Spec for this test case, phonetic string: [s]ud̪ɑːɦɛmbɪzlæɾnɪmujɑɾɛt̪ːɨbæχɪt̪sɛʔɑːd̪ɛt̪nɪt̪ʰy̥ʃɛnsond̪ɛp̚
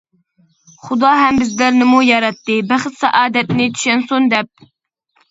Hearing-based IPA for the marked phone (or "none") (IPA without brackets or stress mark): χ